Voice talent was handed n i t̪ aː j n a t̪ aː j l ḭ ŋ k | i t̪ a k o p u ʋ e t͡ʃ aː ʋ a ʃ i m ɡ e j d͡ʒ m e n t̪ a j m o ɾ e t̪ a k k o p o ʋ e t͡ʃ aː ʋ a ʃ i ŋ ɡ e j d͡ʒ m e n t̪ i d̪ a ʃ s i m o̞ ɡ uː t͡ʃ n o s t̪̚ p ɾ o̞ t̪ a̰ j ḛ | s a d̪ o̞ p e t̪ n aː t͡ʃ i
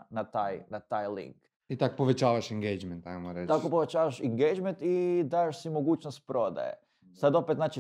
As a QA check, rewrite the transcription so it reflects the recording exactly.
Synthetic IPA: n a t̪ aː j n a t̪ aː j l ḭ ŋ k | i t̪ a k o p o ʋ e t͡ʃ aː ʋ a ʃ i ŋ ɡ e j d͡ʒ m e n t̪ a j m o ɾ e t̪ a k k o p o ʋ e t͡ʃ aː ʋ a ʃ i ŋ ɡ e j d͡ʒ m e n t̪ i d̪ a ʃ s i m o̞ ɡ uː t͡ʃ n o s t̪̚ p ɾ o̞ d̪ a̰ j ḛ | s a d̪ o̞ p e t̪ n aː t͡ʃ i